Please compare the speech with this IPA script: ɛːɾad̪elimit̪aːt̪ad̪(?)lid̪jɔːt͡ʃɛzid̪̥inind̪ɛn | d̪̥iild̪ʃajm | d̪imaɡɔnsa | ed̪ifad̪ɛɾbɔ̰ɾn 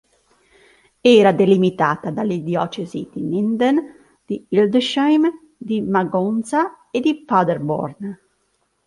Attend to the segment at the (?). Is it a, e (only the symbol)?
a